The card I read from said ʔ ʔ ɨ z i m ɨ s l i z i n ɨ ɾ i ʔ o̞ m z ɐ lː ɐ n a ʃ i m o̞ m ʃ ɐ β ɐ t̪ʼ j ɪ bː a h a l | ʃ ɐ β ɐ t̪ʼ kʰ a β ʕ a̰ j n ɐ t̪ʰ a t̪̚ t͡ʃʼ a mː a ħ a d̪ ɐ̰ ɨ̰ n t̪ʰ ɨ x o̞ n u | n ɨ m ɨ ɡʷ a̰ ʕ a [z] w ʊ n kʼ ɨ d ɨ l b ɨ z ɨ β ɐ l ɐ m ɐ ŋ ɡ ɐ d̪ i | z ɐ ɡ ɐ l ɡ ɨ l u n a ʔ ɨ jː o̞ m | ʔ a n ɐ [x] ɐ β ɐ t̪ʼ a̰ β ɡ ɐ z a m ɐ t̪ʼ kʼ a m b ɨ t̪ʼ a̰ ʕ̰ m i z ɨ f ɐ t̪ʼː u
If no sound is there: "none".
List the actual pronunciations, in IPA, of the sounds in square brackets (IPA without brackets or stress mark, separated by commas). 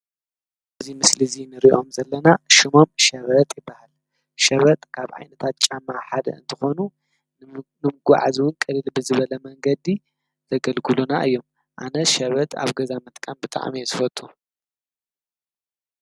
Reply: z, ʃ